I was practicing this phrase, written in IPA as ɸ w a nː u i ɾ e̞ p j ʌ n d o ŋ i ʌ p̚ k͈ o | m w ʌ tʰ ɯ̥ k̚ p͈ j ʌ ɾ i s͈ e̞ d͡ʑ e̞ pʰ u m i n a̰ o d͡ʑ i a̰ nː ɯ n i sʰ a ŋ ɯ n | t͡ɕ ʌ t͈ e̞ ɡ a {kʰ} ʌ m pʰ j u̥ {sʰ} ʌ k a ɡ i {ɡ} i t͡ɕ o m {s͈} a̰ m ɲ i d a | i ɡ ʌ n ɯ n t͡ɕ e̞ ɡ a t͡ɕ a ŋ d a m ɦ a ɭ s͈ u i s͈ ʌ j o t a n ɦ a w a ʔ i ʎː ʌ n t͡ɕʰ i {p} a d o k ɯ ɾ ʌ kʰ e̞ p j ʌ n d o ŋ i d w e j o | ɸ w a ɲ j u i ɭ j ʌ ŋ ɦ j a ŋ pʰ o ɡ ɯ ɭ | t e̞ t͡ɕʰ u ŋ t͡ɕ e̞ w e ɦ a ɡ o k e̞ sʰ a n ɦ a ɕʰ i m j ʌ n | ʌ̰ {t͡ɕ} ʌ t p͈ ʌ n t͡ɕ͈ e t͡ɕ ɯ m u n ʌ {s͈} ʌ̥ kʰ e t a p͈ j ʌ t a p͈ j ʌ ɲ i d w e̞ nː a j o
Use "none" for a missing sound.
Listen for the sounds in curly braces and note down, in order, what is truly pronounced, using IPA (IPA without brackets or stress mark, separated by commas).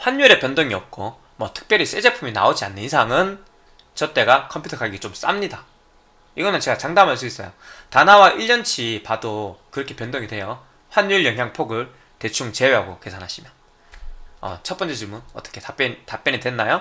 kʰ, tʰ, ɡ, s͈, p, t͡ɕʰ, t͈